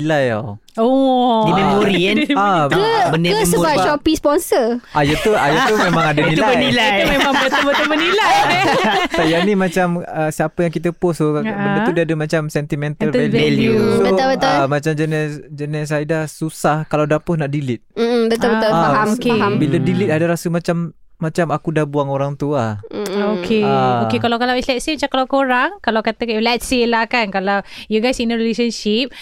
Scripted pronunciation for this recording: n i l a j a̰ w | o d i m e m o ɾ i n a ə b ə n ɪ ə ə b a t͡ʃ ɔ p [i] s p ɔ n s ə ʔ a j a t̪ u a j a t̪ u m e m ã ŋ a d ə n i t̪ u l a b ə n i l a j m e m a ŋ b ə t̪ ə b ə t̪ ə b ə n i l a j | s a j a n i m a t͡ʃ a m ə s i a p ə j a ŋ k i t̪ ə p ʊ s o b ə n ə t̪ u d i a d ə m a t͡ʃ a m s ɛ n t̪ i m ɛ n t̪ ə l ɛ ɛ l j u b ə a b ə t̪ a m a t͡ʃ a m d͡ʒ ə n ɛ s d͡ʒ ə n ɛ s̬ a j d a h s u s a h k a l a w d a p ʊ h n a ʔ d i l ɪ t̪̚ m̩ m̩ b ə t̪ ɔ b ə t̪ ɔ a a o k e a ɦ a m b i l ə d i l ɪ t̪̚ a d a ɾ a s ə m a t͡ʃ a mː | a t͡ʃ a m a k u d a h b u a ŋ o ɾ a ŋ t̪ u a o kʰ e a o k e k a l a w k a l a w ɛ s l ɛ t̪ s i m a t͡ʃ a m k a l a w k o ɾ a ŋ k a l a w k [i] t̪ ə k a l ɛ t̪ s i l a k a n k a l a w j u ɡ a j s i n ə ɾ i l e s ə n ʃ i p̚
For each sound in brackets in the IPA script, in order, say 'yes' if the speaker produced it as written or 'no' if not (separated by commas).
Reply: yes, no